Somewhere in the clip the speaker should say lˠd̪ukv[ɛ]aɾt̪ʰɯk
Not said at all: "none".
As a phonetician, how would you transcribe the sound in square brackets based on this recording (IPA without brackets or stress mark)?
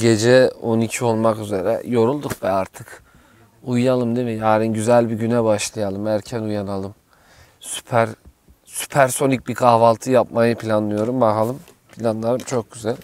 ɛ